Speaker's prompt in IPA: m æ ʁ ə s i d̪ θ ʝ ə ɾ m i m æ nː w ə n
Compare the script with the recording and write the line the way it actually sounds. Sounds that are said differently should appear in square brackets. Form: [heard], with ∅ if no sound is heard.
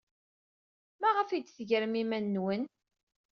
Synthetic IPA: m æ ʁ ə [f] i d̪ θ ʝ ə ɾ m i m æ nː w ə n